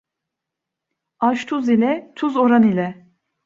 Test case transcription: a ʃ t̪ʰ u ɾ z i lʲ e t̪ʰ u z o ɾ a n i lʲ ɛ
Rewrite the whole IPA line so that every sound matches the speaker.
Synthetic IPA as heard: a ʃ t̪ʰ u z i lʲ ɛ t̪ʰ u z o ɾ a n i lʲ ɛ